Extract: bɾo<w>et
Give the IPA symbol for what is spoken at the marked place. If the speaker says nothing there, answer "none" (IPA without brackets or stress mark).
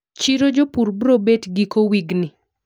b